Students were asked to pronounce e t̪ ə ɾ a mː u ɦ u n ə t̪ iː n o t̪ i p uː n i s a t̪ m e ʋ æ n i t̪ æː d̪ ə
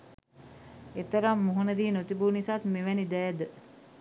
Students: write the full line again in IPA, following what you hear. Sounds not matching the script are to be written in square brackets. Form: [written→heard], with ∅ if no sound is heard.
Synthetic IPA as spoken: e t̪ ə ɾ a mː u ɦ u n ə [t̪→d̪] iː n o t̪ i [p→b] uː n i s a t̪ m e ʋ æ n i [t̪→d̪] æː d̪ ə